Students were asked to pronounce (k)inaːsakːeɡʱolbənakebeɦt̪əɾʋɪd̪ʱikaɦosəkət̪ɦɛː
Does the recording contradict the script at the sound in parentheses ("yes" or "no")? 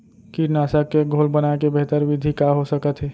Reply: no